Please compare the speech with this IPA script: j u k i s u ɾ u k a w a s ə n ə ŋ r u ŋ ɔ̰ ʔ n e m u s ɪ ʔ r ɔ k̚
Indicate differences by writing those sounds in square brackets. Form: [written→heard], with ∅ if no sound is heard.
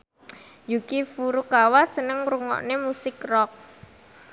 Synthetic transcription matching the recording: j u k i [s→f] u ɾ u k a w a s ə n ə ŋ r u ŋ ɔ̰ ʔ n e m u s ɪ [ʔ→k] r ɔ k̚